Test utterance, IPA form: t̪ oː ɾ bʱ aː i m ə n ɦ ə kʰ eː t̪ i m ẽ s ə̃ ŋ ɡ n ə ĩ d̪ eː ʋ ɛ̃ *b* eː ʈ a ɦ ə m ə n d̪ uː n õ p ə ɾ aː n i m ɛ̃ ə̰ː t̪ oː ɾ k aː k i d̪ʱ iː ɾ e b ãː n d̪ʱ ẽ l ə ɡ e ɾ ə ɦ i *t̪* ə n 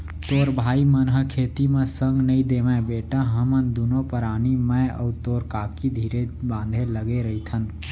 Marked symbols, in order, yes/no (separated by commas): yes, no